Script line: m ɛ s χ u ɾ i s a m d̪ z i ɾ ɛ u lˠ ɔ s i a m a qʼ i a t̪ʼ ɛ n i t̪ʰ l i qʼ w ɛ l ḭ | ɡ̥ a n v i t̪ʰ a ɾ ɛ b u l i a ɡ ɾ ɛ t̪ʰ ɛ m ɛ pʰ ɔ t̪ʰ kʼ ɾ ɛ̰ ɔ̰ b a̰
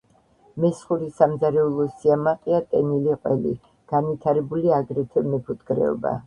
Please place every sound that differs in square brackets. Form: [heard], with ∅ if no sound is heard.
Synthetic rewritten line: m ɛ s χ u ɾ i s a m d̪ z [a] ɾ ɛ u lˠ ɔ s i a m a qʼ i a t̪ʼ ɛ n i [∅] l i qʼ w ɛ l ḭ | ɡ̥ a n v i t̪ʰ a ɾ ɛ b u l i a ɡ ɾ ɛ t̪ʰ ɛ m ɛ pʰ [u] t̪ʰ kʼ ɾ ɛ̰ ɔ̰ b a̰